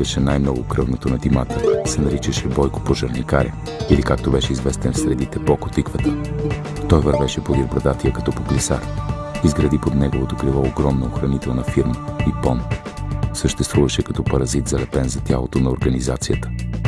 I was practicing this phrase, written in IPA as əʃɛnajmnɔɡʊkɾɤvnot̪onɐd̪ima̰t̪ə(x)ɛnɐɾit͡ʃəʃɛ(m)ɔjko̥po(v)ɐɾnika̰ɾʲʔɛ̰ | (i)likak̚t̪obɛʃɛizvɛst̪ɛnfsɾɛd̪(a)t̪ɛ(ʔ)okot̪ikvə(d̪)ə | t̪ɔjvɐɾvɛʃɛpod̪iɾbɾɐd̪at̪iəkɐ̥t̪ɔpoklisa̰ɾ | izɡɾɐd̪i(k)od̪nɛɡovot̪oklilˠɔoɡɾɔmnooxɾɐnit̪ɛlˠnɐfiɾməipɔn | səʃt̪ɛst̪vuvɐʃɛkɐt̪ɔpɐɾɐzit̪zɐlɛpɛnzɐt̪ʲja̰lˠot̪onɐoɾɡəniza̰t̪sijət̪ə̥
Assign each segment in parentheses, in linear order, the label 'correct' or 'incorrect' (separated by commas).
incorrect, incorrect, incorrect, correct, incorrect, incorrect, incorrect, incorrect